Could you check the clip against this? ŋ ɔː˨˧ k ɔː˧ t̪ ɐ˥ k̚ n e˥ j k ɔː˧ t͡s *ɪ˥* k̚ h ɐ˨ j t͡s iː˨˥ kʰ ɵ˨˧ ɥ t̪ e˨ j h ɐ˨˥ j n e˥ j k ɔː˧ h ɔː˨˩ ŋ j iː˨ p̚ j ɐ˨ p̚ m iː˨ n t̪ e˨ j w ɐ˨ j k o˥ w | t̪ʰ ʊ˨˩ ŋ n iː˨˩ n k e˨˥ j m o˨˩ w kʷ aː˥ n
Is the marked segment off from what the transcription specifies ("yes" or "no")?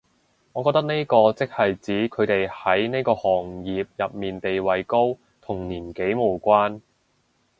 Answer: no